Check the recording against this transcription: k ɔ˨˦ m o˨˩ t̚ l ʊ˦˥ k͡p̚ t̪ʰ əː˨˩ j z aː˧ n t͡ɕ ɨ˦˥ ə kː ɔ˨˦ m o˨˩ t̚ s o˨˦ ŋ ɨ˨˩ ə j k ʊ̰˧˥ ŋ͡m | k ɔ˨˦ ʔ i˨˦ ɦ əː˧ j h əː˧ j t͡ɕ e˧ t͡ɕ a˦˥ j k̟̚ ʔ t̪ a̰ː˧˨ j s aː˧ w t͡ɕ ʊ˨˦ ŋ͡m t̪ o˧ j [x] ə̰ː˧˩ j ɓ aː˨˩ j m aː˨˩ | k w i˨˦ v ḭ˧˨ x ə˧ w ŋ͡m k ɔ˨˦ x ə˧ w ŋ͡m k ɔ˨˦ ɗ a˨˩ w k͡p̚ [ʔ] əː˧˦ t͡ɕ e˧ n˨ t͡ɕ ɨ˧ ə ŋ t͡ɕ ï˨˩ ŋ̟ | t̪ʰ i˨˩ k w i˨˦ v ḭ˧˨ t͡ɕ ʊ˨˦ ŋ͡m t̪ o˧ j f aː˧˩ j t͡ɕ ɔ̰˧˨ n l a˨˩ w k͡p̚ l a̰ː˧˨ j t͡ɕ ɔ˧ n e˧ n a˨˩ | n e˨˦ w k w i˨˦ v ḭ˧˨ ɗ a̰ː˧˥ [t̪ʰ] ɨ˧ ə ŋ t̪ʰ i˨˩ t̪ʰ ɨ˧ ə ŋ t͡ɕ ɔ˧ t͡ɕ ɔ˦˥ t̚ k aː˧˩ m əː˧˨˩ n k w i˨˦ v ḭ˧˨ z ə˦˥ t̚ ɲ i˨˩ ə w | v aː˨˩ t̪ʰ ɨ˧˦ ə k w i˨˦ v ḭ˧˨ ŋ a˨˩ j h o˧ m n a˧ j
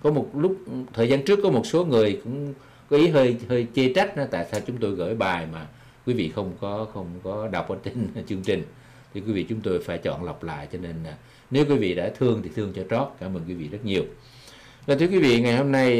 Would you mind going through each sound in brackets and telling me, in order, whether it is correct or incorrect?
incorrect: ɣ, correct, correct

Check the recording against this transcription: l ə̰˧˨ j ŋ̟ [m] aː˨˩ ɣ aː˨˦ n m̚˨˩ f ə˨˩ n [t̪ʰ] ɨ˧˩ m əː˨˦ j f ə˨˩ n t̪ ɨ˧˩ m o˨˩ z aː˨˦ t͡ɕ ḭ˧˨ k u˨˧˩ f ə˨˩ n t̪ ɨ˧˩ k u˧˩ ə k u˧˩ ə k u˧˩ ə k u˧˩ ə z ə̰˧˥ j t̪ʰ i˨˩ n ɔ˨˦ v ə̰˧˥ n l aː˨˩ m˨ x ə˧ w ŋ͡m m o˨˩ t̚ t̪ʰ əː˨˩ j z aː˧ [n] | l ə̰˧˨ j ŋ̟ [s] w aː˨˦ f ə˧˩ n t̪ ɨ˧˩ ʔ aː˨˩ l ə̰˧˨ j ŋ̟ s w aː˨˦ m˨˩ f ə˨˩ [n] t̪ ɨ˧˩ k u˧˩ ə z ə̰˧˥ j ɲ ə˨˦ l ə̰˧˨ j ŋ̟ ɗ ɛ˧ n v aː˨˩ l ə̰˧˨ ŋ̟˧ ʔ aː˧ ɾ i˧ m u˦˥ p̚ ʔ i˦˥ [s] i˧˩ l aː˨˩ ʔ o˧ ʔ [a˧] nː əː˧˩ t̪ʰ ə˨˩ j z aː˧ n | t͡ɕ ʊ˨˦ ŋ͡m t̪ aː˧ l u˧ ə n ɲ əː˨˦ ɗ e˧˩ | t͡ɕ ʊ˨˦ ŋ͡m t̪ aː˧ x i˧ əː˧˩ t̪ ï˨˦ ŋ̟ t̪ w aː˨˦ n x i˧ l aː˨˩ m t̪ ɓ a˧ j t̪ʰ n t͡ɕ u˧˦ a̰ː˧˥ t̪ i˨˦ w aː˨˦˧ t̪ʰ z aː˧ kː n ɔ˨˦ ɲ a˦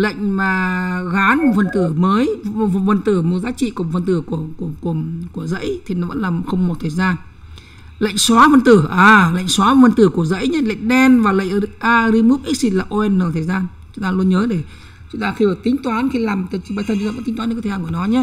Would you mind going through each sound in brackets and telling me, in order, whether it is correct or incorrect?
correct, incorrect: t̪, correct, correct, correct, correct, incorrect: ɛ˧

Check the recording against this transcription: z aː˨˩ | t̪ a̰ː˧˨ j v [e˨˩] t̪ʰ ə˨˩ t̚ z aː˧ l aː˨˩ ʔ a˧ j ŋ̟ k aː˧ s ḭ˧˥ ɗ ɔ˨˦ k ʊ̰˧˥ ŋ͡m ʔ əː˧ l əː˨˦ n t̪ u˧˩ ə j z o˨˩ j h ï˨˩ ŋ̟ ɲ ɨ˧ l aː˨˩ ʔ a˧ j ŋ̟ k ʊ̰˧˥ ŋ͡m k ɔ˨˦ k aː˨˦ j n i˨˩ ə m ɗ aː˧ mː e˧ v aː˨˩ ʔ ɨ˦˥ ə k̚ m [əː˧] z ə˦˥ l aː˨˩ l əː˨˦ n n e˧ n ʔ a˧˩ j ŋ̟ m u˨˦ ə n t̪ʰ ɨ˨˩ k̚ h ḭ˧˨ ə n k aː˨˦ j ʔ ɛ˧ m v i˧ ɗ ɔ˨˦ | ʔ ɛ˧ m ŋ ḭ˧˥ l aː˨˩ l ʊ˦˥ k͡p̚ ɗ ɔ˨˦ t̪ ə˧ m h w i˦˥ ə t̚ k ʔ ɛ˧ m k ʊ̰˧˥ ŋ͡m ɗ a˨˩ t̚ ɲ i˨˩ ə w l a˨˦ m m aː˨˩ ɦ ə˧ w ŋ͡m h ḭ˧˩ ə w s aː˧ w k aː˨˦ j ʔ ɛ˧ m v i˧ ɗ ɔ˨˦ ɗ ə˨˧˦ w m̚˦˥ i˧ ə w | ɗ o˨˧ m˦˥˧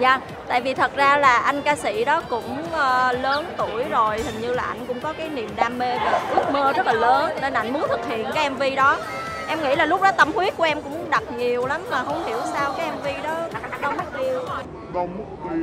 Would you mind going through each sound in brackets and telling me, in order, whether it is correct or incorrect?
incorrect: i˨˩, correct

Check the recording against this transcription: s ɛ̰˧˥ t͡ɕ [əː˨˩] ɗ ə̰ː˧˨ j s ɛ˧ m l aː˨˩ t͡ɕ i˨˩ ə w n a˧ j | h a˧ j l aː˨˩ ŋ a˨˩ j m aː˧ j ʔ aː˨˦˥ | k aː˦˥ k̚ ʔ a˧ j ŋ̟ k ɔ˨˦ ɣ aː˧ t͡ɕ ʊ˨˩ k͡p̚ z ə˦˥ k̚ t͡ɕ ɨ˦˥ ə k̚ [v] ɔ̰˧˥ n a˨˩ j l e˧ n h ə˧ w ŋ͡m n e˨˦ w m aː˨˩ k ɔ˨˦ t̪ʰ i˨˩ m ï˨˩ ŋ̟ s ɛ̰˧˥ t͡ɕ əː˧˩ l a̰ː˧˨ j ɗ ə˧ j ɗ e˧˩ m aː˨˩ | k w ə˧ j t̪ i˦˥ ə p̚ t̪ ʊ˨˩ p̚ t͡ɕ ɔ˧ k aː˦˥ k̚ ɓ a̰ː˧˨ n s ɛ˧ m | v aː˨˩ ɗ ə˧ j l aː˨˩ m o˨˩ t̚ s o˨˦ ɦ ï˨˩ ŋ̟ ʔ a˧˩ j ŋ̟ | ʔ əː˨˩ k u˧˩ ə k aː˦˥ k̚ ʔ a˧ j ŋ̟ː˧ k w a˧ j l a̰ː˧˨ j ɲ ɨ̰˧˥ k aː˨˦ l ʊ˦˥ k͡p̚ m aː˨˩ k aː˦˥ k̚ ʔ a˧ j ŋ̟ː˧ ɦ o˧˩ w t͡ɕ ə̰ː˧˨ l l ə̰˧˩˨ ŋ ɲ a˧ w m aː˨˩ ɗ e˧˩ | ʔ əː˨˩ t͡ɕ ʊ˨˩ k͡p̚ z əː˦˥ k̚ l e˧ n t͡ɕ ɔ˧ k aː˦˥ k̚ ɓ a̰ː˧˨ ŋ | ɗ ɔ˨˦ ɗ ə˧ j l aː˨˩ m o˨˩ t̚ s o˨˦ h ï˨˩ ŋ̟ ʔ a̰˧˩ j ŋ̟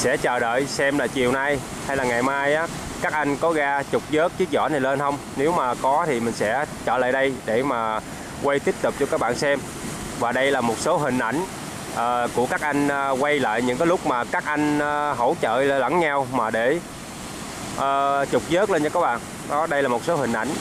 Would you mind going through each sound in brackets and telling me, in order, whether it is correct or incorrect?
correct, incorrect: z

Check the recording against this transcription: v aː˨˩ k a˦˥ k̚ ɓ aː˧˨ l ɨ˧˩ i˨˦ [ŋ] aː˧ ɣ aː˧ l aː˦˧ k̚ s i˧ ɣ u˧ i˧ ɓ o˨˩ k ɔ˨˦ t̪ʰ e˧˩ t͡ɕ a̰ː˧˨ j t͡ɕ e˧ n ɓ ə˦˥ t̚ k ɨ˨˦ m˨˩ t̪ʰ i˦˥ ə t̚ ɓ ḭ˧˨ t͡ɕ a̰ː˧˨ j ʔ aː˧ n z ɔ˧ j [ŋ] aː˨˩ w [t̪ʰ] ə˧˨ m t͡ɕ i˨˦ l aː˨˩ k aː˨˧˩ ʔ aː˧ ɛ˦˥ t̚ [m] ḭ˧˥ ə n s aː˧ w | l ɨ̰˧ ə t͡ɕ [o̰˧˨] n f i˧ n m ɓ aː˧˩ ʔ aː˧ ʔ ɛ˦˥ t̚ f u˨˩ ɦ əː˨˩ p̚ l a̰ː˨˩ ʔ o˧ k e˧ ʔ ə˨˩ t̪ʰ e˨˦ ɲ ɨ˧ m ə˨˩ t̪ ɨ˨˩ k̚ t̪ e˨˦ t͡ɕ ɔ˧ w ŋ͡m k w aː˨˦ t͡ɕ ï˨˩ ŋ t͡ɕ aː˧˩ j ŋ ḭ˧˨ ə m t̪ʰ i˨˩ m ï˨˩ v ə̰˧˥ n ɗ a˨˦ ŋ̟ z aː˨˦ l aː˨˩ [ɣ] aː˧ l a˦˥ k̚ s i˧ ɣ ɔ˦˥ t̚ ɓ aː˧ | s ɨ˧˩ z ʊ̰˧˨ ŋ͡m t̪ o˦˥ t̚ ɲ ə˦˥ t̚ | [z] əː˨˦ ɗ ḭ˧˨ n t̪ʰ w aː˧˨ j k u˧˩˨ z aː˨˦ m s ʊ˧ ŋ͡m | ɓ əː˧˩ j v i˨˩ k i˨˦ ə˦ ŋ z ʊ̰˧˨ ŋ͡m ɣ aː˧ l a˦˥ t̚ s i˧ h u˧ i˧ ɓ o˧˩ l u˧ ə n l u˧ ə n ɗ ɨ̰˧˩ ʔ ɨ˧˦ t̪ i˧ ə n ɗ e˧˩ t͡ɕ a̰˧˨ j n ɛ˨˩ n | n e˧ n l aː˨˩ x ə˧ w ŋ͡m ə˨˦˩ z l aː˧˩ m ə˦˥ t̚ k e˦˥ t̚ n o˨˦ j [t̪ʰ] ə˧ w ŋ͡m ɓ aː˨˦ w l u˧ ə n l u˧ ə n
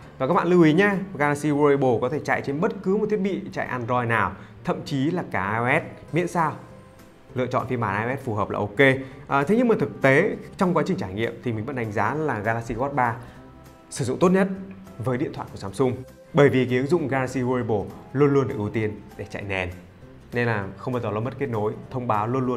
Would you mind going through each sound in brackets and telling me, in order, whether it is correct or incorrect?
incorrect: ɲ, incorrect: n, correct, correct, incorrect: ɔ̰˧˨, correct, incorrect: v, correct

